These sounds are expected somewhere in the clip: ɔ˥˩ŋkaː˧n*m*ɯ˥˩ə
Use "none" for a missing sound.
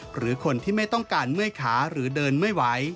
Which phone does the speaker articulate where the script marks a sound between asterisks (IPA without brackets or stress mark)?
m